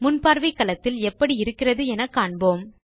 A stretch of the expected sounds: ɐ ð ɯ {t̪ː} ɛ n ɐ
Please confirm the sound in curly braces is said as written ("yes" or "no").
no